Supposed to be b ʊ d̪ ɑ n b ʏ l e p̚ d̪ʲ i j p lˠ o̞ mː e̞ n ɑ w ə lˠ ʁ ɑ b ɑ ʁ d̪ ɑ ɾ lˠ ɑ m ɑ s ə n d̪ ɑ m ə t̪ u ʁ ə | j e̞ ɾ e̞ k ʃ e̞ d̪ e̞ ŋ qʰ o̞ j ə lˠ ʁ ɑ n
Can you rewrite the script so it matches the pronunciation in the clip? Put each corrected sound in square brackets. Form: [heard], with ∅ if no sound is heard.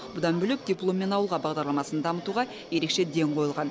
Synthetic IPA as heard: b ʊ d̪ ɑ n b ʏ l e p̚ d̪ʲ i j p lˠ o̞ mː e̞ n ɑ w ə lˠ ʁ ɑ b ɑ ʁ d̪ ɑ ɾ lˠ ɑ m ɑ s ə n d̪ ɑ m ə t̪ u ʁ [ɑ] | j e̞ ɾ e̞ k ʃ e̞ d̪ e̞ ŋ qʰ o̞ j ə lˠ ʁ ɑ n